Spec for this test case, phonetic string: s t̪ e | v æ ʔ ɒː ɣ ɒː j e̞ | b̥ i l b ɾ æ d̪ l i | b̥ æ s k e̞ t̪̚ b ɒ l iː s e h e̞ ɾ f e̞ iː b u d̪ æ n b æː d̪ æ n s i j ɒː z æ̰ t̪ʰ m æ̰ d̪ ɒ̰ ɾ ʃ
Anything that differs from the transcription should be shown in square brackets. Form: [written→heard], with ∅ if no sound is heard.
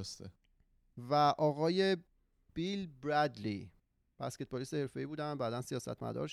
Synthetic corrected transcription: s t̪ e | v æ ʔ ɒː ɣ ɒː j e̞ | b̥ i l b ɾ æ d̪ l i | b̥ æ s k e̞ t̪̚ b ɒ l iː s e h e̞ ɾ f e̞ iː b [u→uː] d̪ æ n b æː d̪ æ n s i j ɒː [z→s] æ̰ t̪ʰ m æ̰ d̪ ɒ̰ ɾ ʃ